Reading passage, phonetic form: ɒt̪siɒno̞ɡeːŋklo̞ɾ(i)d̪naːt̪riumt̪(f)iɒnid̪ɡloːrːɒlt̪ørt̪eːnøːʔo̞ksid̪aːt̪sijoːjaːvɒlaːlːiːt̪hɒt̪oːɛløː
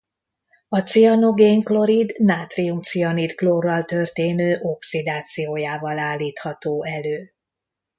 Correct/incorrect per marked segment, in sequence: correct, incorrect

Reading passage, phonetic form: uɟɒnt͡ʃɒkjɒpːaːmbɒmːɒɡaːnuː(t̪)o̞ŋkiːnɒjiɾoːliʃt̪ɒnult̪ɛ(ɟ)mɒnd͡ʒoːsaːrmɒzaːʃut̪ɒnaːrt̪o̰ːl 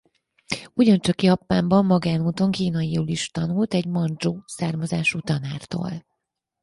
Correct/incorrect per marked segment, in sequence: correct, correct

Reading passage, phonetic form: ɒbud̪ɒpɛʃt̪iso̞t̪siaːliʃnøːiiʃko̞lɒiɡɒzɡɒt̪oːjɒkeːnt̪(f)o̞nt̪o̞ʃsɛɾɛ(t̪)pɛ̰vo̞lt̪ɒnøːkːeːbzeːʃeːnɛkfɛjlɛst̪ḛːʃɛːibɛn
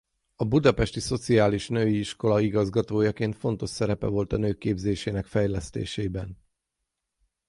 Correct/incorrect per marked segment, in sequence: correct, incorrect

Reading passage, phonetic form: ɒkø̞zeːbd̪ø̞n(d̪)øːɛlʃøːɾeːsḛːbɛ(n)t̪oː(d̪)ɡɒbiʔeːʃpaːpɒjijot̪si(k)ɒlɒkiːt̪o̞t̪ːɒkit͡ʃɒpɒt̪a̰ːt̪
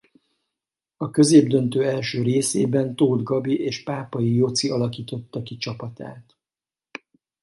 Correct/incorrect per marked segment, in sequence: incorrect, correct, correct, incorrect

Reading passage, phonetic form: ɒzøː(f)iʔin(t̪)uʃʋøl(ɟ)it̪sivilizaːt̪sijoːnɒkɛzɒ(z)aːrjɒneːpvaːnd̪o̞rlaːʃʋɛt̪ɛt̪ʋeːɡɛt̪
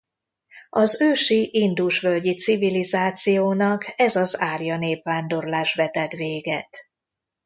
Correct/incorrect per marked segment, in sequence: incorrect, incorrect, correct, correct

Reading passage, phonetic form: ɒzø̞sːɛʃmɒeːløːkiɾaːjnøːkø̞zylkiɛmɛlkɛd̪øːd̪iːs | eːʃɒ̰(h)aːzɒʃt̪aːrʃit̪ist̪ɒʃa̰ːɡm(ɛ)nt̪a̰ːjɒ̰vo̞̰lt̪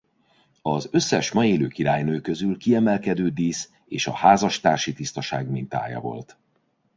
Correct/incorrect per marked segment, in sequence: correct, incorrect

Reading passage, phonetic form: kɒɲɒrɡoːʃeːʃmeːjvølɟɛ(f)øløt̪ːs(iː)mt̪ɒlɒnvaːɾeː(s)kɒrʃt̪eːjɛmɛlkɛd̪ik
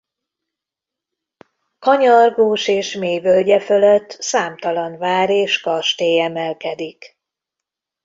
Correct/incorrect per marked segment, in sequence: correct, incorrect, incorrect

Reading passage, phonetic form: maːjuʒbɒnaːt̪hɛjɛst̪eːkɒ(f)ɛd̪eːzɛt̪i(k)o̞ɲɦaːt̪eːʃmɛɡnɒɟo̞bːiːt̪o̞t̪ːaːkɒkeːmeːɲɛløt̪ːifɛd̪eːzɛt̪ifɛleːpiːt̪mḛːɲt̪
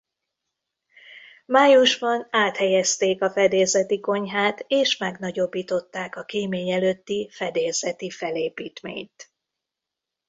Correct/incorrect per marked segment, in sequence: correct, correct

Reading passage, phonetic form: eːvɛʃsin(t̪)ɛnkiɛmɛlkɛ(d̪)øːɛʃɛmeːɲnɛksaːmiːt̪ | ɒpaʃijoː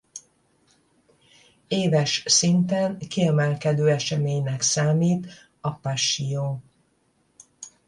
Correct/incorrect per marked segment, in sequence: correct, correct

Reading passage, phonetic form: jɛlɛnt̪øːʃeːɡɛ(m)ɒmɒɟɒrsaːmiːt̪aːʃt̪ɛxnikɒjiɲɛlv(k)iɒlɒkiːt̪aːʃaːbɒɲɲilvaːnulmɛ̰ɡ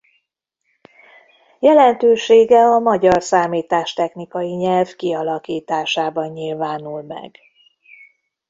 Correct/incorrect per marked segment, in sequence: incorrect, correct

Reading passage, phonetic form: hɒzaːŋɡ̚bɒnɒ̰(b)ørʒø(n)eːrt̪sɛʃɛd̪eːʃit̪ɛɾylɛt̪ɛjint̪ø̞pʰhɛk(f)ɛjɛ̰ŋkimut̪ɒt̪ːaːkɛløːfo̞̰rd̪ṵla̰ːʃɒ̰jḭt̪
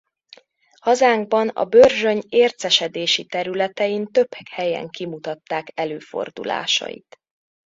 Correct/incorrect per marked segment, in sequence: correct, incorrect, incorrect

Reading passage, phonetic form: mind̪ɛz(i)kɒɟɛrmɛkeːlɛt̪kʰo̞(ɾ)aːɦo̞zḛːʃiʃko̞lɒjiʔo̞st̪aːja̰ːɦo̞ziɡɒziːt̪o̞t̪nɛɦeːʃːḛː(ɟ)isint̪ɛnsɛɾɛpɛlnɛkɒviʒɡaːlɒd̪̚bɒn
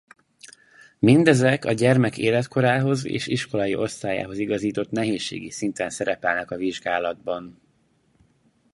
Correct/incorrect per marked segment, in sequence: incorrect, correct, incorrect

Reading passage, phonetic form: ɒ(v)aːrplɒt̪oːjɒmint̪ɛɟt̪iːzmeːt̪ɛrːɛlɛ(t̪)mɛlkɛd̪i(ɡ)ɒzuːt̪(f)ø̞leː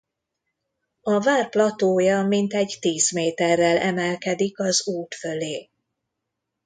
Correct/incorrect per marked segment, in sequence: correct, incorrect, incorrect, correct

